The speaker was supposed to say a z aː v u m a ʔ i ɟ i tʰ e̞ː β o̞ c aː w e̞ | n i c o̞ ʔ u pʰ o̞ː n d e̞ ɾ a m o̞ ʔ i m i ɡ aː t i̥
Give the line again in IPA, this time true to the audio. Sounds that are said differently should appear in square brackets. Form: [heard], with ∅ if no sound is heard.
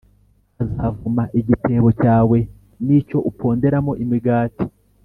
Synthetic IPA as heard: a z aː v u m a ʔ i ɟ i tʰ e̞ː β o̞ c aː w e̞ | n i c o̞ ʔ u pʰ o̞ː n d e̞ ɾ a m o̞ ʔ i m i ɡ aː t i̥